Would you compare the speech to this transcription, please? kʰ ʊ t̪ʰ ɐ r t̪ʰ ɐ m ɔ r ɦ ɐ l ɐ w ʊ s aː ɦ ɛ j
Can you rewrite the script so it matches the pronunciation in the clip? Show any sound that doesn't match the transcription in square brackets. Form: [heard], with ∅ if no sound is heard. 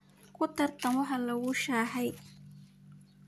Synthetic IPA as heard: kʰ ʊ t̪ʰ ɐ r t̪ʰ ɐ m ɔ [∅] ɦ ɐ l ɐ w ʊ [ʃ] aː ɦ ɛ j